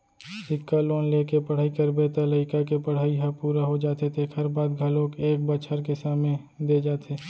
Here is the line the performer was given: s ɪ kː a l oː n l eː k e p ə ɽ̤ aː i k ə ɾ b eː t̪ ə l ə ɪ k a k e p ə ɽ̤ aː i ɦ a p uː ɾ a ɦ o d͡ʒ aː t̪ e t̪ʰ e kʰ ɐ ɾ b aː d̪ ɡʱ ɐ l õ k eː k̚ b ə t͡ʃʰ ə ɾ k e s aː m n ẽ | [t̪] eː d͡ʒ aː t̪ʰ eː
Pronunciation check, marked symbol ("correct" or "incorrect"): incorrect